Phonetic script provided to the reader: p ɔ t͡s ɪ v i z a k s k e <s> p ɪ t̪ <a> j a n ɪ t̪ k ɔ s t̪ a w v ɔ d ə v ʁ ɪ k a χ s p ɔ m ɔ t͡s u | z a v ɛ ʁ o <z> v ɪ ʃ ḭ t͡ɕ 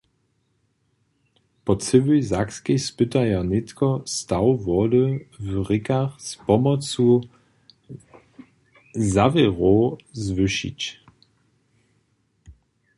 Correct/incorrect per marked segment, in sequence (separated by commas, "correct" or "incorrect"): correct, correct, correct